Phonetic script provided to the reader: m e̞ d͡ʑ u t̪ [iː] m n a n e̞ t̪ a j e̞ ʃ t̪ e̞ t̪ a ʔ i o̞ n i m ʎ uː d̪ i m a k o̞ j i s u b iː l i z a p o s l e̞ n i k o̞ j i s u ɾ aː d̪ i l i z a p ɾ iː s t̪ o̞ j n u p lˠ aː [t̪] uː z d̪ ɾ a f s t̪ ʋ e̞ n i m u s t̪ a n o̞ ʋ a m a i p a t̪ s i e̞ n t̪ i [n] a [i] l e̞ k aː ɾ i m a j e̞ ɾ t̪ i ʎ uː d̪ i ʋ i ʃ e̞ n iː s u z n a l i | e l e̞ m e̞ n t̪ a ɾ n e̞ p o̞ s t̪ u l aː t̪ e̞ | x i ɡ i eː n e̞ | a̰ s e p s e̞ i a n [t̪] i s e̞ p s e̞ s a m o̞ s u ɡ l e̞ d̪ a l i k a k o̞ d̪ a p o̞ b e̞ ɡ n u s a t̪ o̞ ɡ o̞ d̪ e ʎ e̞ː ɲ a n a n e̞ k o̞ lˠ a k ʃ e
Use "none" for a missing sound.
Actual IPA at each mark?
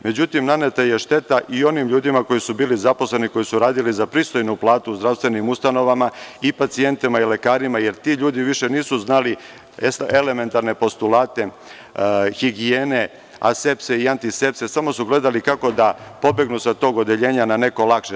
i, t̪, m, i, t̪

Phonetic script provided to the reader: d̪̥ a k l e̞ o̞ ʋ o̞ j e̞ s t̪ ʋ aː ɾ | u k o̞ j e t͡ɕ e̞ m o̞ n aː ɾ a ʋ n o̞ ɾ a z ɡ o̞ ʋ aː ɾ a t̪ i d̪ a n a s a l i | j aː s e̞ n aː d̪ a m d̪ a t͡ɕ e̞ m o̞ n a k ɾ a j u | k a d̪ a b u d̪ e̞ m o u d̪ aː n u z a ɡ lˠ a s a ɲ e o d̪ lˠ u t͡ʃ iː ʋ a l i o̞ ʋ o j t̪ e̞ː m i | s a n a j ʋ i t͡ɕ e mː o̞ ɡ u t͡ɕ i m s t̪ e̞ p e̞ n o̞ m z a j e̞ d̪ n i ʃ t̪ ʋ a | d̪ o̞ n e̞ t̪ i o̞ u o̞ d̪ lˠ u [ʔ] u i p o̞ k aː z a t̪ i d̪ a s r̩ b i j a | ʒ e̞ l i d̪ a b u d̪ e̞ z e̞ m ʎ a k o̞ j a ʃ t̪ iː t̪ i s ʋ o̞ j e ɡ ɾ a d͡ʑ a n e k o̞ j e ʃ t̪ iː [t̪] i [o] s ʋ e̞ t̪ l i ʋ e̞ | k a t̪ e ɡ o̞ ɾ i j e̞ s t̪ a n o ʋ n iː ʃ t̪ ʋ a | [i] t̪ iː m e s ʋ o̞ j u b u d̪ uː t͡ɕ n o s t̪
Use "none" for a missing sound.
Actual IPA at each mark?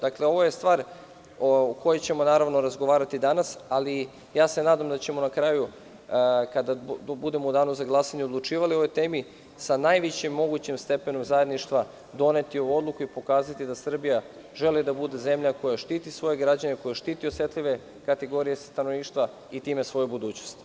k, t̪, o, i

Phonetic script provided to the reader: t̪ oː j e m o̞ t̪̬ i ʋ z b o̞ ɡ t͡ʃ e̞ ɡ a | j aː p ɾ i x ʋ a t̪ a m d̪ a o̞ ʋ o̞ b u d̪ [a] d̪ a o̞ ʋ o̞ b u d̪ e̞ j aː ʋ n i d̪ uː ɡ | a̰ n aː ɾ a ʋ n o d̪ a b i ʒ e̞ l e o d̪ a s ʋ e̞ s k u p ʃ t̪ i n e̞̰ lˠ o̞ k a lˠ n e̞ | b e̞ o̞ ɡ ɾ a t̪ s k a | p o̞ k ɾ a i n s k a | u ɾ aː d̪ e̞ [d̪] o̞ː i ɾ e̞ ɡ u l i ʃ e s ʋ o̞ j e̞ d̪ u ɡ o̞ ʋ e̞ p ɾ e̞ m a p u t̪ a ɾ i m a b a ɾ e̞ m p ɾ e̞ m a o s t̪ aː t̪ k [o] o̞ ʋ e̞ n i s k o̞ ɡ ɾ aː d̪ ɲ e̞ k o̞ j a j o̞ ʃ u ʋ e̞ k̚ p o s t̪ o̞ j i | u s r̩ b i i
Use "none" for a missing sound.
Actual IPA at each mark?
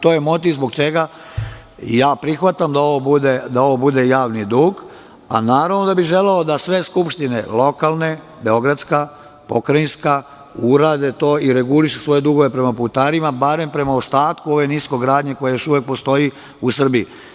e, t̪, u

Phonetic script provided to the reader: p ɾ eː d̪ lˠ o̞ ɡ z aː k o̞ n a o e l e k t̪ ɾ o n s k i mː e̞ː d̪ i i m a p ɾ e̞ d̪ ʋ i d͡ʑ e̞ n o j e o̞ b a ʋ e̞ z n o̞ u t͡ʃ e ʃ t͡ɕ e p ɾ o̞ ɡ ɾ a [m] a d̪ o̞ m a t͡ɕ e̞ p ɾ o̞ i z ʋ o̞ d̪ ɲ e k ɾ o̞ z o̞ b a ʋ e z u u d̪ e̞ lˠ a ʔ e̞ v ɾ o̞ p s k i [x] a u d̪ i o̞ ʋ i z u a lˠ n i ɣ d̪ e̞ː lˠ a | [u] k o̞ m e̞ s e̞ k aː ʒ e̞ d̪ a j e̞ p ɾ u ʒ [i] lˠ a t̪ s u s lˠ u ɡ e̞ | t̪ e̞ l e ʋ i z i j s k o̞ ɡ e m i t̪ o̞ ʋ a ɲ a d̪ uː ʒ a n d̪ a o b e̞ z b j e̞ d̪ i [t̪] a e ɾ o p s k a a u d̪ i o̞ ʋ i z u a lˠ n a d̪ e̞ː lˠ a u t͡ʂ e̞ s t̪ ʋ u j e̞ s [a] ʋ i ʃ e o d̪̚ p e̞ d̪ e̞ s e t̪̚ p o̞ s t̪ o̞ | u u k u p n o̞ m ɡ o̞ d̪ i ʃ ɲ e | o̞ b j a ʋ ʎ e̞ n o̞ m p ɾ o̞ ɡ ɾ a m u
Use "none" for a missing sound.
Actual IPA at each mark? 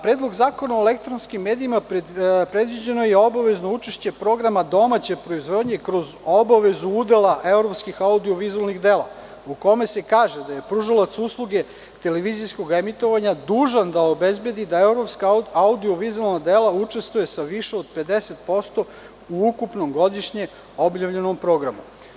m, x, u, a, d̪, a

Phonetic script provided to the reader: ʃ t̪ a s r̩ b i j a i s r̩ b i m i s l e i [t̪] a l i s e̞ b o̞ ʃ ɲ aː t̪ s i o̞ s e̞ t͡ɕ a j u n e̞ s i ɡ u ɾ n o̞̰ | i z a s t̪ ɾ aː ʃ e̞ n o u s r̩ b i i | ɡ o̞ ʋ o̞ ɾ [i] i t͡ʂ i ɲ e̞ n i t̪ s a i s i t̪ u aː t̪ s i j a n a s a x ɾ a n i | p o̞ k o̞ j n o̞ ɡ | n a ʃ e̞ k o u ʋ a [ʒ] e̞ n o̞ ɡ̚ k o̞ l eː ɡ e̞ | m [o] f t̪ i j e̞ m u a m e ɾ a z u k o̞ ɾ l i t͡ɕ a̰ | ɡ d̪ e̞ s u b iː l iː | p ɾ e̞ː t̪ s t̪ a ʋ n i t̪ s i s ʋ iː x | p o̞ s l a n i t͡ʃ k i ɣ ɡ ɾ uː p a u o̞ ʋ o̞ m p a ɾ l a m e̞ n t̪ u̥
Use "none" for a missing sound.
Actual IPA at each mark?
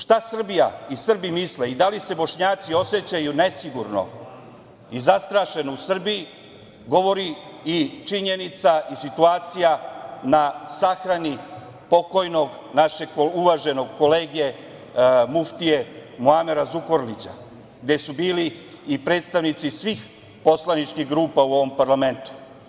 d̪, i, ʒ, u

